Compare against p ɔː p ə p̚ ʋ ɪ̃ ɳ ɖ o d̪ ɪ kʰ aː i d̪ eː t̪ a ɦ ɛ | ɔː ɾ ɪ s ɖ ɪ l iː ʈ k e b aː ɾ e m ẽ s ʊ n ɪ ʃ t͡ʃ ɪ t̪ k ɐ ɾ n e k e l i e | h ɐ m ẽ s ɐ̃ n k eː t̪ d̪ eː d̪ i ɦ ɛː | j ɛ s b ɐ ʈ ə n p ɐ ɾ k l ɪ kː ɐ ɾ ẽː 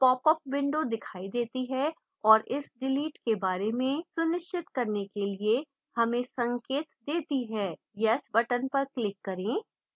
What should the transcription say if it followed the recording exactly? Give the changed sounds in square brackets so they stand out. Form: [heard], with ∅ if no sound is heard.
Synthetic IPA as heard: p ɔː p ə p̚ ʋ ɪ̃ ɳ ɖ o d̪ ɪ kʰ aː i d̪ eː t̪ [i] ɦ ɛ | ɔː ɾ ɪ s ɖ ɪ l iː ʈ k e b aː ɾ e m ẽ s ʊ n ɪ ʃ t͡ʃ ɪ t̪ k ɐ ɾ n e k e l i e | h ɐ m ẽ s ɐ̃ [ŋ] k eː t̪ d̪ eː [t̪] i ɦ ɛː | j ɛ s b ɐ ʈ ə n p ɐ ɾ k l ɪ kː ɐ ɾ ẽː